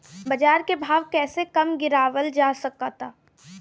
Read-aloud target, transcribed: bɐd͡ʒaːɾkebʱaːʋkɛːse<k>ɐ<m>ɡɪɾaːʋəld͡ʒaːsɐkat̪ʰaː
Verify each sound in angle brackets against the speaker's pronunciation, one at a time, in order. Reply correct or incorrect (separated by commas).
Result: correct, correct